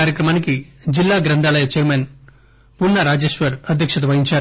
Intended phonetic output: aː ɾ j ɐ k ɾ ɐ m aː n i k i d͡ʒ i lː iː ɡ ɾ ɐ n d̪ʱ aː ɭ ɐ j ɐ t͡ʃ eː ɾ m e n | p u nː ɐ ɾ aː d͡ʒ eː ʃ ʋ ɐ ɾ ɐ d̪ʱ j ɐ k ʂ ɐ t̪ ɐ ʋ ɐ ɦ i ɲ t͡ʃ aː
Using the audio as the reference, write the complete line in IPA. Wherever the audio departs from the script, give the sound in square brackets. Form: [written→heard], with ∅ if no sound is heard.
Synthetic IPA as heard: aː ɾ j ɐ k ɾ ɐ m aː n i k i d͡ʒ i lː [iː→aː] ɡ ɾ ɐ n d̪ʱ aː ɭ ɐ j ɐ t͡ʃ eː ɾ m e n | p u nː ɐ ɾ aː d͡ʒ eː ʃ ʋ ɐ ɾ ɐ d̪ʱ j ɐ k ʂ ɐ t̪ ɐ ʋ ɐ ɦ i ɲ t͡ʃ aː